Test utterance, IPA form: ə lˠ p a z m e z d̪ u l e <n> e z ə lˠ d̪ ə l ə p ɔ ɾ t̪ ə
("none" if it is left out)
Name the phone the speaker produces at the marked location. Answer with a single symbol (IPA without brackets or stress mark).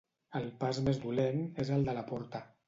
n